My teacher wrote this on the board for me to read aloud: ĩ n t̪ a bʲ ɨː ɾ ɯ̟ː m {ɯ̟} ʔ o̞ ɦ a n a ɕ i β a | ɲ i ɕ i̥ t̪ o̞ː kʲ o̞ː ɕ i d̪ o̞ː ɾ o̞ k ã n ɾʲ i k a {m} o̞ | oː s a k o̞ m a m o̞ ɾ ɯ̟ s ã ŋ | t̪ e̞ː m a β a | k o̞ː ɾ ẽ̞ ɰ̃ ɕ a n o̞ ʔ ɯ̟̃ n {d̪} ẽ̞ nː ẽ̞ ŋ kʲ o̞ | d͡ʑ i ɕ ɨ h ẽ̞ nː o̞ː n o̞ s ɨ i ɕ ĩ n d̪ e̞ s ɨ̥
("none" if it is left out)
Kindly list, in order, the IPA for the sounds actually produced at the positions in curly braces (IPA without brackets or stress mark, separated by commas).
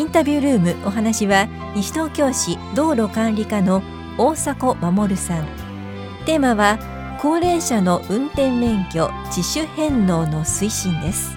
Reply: ɯ̟, n, t̪